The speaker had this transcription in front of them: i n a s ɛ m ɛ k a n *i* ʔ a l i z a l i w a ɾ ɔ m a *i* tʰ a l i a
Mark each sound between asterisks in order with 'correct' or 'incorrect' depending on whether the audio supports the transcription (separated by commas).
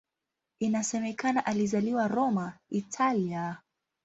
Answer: incorrect, correct